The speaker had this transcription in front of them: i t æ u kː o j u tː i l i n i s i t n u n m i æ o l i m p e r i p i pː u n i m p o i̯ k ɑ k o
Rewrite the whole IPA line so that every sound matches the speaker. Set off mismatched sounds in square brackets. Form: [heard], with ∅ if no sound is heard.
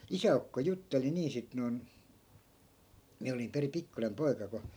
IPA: i [s] æ u kː o j u tː [e] l i n [iː] s i t n [o] n m i æ o l i m p e r i p i [kː] u n [e] m p o i̯ k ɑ k o